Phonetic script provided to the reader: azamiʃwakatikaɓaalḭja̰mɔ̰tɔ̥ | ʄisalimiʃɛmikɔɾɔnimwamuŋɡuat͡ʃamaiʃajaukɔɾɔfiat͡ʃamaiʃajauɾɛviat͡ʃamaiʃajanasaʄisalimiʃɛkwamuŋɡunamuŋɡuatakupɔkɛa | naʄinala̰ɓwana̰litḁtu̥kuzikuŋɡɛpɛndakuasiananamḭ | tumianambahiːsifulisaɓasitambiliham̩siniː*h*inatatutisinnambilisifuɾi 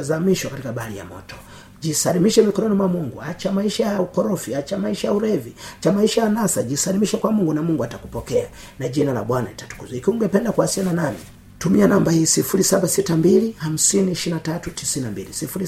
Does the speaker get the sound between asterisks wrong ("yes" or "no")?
yes